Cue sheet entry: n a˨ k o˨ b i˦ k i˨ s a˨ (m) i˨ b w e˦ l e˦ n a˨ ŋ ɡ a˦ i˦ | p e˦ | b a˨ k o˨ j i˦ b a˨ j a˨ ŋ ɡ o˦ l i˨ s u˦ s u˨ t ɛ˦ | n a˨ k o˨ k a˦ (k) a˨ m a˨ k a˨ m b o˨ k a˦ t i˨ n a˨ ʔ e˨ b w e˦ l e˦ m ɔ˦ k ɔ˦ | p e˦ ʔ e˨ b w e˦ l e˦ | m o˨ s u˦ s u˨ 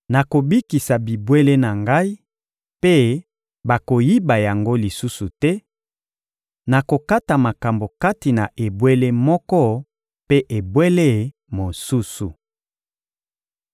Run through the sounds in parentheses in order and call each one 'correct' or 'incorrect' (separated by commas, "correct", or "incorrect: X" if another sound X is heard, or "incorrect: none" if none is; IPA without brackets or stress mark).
incorrect: b, incorrect: t